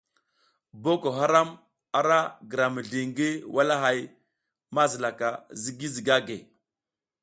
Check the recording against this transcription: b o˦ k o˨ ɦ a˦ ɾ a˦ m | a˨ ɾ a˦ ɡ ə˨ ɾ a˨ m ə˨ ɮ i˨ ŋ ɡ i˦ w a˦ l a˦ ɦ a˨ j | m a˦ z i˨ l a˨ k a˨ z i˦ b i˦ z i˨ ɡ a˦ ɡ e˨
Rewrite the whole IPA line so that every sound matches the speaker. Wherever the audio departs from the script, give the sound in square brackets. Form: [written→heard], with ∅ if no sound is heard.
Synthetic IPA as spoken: b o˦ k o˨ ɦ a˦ ɾ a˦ m | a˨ ɾ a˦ ɡ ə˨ ɾ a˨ m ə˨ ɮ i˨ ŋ ɡ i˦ w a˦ l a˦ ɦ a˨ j | m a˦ z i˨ l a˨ k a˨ z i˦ [b→ɡ] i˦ z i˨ ɡ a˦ ɡ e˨